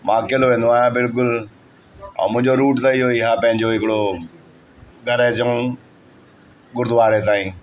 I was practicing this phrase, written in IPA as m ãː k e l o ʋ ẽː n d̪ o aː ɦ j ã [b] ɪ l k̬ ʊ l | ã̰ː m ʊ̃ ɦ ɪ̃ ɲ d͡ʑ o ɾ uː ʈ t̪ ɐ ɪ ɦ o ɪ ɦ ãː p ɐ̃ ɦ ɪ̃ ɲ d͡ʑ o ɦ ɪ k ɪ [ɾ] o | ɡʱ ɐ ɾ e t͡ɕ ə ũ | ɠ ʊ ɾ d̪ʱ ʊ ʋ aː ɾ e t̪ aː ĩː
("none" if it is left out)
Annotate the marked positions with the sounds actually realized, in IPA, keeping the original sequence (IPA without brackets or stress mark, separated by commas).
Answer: b, ɽ